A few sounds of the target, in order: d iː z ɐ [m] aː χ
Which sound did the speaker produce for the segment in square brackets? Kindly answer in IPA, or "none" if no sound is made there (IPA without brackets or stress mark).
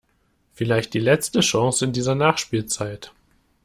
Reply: n